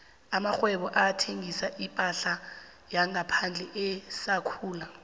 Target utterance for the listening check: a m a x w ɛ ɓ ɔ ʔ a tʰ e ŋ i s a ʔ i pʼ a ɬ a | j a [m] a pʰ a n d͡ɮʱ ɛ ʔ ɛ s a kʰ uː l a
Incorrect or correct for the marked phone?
incorrect: ŋ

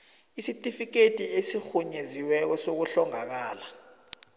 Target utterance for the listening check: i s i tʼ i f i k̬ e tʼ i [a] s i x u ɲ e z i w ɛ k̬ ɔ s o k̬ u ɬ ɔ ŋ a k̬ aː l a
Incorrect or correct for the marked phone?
incorrect: e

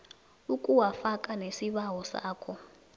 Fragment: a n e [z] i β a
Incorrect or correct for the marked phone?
incorrect: s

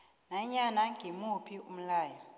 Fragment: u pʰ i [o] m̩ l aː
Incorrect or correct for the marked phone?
incorrect: u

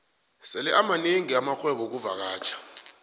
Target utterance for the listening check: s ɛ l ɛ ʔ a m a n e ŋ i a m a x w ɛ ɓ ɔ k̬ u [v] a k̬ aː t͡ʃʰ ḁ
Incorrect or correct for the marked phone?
correct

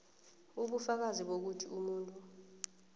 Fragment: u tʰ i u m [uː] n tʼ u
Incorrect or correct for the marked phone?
correct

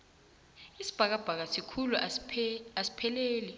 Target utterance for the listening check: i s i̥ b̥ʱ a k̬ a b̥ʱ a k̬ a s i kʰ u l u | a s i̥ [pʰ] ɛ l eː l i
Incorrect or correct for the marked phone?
correct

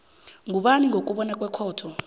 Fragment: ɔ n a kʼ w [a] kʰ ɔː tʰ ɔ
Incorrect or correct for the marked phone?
incorrect: ɛ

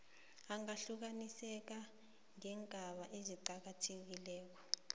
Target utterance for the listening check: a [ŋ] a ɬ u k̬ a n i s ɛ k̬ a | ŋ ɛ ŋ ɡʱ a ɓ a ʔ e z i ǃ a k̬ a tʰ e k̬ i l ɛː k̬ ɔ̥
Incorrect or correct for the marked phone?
correct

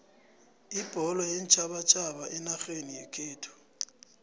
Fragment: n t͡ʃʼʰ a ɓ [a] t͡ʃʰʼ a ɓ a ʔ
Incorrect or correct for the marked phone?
correct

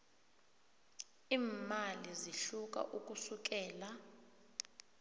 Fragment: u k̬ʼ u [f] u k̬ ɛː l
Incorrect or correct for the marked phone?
incorrect: s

